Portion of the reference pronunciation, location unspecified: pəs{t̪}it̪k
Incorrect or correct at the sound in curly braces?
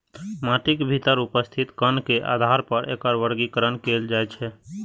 incorrect: t̪ʰ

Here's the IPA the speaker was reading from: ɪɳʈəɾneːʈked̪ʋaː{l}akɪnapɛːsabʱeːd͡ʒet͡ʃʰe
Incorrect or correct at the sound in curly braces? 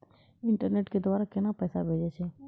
incorrect: ɾ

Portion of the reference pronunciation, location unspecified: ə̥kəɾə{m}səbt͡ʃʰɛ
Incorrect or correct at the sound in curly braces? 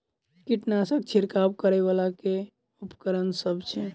incorrect: n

